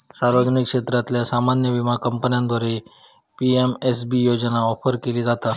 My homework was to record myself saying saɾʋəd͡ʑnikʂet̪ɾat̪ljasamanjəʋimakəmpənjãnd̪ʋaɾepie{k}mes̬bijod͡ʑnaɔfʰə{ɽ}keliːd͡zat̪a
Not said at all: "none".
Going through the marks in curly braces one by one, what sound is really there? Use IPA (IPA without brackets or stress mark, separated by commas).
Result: none, ɾ